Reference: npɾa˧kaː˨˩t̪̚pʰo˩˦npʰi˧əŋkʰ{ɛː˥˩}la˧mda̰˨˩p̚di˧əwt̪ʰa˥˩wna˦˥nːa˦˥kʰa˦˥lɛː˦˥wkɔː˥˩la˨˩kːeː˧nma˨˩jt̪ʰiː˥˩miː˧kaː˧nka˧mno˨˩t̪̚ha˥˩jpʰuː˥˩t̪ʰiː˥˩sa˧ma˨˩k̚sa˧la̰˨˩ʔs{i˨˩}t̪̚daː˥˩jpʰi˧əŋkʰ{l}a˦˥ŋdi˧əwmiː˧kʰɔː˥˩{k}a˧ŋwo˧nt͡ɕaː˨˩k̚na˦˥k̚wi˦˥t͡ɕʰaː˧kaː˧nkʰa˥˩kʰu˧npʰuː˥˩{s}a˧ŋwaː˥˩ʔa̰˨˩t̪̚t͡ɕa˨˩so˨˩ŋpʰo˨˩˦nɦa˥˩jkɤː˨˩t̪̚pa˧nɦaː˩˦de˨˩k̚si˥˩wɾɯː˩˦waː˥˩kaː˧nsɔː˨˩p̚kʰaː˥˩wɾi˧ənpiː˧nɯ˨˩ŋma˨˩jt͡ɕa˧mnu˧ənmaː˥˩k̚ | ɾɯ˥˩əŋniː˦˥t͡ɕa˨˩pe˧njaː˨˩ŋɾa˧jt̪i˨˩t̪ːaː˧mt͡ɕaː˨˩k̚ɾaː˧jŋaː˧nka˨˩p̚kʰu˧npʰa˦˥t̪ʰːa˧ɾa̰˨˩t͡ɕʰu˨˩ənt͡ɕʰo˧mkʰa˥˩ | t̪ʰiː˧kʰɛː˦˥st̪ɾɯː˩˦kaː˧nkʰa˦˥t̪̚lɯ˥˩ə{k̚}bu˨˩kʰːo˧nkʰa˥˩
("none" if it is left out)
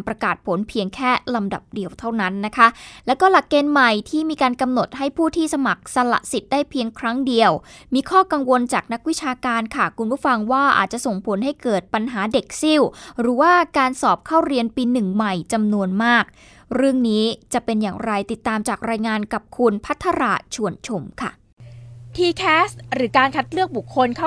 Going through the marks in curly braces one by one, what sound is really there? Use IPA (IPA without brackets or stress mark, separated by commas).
ɛː˥˩, i˨˩, ɾ, k, f, k̚